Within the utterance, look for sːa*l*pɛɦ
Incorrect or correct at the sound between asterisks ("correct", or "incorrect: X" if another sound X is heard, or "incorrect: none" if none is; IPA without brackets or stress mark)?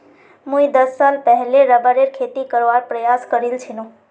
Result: correct